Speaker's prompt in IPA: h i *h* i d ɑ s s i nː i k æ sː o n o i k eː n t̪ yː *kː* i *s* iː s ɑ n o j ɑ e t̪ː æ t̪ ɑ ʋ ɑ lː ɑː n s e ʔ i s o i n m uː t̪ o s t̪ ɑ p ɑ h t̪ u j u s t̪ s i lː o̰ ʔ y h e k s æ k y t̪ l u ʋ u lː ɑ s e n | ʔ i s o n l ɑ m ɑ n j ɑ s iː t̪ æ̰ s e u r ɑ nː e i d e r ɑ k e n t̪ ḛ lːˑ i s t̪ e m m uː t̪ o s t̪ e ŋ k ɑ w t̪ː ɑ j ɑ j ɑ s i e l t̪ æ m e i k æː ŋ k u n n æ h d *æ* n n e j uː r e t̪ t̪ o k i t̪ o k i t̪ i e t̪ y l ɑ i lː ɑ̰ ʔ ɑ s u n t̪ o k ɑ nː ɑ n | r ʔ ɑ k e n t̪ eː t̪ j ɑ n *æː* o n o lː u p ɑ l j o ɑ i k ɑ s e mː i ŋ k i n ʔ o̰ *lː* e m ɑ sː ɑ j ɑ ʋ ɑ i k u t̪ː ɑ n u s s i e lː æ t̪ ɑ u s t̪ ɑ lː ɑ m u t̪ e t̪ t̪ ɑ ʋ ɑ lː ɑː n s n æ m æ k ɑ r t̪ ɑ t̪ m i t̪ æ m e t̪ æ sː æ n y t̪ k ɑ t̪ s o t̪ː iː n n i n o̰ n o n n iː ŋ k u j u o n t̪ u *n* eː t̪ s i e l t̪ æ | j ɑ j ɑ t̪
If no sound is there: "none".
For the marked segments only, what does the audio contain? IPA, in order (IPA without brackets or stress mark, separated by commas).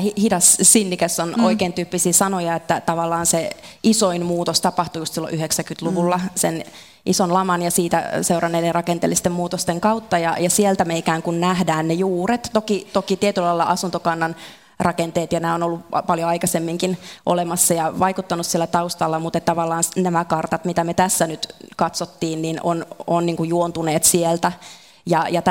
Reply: h, pː, s, æː, æː, l, n